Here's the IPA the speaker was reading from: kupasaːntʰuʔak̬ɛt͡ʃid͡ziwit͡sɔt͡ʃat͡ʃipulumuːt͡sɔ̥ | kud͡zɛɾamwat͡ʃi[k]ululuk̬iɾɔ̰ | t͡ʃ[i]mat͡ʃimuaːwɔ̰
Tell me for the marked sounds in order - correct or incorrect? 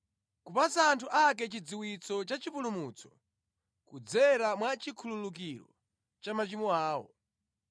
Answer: incorrect: kʰ, incorrect: a

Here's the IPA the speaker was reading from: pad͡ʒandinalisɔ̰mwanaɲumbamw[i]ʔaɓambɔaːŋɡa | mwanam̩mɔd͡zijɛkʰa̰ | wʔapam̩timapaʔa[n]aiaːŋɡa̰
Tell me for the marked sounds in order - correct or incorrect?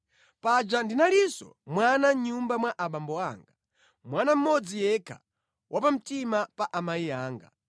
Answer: incorrect: a, incorrect: m

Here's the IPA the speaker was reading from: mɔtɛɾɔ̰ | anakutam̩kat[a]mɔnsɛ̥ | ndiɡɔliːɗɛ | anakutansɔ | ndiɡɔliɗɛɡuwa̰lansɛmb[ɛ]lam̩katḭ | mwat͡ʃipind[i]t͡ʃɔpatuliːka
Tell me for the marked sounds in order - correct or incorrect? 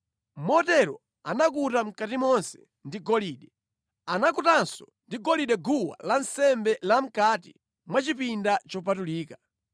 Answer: incorrect: i, correct, incorrect: a

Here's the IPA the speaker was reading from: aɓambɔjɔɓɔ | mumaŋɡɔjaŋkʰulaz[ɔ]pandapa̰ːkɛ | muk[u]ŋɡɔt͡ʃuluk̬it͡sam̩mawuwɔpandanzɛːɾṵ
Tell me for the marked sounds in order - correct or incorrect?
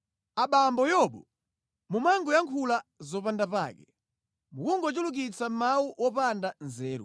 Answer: correct, correct

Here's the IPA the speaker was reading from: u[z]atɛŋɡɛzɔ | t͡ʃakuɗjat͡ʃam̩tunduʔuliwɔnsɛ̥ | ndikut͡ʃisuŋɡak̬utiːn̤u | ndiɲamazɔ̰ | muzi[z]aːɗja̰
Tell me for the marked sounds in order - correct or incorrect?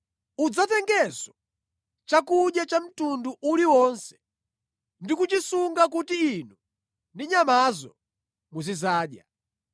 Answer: incorrect: d͡z, correct

